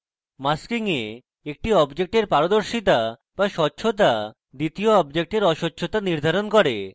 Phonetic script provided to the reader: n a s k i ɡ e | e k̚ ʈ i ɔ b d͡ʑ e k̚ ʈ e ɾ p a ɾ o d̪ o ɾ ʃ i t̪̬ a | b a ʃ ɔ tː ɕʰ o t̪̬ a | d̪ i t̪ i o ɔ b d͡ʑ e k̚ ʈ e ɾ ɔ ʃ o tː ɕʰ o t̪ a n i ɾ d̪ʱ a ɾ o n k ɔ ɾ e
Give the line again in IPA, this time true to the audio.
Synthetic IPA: m a s k i ŋ e | e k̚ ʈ i ɔ b d͡ʑ e k̚ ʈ e ɾ p a ɾ o d̪ o ɾ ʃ i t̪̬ a | b a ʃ ɔ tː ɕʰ o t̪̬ a | d̪ i t̪ i o ɔ b d͡ʑ e k̚ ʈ e ɾ ɔ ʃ o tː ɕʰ o t̪ a n i ɾ d̪ʱ a ɾ o n k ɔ ɾ e